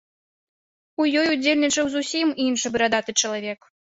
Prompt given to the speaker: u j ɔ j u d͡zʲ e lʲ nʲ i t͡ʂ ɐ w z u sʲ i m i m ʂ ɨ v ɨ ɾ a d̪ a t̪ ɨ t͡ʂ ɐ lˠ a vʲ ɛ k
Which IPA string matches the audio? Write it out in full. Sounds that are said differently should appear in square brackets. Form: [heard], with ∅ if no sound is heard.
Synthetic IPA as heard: u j ɔ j u d͡zʲ e lʲ nʲ i t͡ʂ ɐ w z u sʲ i m i [n] ʂ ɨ [b] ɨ ɾ a d̪ a t̪ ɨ t͡ʂ ɐ lˠ a vʲ ɛ k